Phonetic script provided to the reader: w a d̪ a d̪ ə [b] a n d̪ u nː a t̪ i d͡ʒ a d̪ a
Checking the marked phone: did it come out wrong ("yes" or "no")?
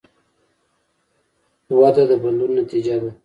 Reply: no